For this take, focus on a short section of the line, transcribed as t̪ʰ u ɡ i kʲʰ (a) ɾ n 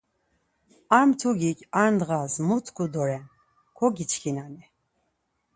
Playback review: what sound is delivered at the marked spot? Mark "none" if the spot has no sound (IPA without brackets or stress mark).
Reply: a